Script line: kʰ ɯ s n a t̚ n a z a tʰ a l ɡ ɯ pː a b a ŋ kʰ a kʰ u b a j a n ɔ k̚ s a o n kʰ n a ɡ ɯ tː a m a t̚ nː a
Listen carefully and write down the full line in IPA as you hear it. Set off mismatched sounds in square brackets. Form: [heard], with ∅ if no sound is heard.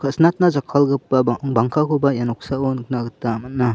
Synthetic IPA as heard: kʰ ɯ s n a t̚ n a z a [kʰ] a l ɡ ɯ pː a b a ŋ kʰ a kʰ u b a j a n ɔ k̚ s a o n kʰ n a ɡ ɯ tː a m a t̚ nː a